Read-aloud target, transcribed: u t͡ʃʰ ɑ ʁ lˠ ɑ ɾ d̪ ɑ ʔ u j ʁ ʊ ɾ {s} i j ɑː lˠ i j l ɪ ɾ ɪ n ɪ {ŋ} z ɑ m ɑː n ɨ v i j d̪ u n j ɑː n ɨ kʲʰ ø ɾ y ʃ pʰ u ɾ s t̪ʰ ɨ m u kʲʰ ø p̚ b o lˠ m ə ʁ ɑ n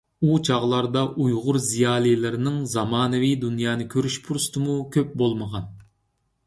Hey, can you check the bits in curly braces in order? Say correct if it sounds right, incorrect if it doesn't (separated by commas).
incorrect, correct